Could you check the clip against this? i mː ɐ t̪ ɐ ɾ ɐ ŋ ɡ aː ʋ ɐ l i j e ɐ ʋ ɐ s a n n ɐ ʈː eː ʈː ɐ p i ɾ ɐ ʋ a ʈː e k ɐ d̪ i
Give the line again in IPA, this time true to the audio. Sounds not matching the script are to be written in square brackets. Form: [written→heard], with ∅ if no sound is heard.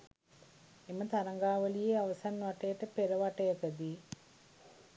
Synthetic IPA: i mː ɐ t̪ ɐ ɾ ɐ ŋ ɡ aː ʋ ɐ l i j e ɐ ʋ ɐ s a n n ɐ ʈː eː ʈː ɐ p [i→e] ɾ ɐ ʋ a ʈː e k ɐ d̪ i